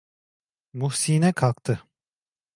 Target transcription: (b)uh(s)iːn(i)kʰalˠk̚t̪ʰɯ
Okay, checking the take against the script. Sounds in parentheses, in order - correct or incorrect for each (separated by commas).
incorrect, correct, incorrect